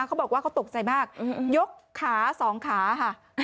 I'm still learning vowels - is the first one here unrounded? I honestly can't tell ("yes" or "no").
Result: yes